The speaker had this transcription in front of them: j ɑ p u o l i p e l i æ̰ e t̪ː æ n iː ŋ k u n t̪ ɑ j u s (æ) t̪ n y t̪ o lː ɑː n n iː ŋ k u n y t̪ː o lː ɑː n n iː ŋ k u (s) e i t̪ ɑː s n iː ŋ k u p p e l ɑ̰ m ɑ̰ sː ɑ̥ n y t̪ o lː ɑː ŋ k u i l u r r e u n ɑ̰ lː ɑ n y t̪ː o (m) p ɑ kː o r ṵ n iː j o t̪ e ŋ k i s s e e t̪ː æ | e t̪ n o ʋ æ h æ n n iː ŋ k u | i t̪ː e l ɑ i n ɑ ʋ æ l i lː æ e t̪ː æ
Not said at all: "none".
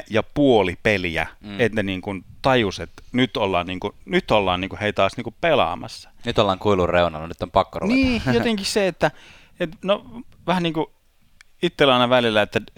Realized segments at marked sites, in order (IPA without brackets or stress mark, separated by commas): e, h, m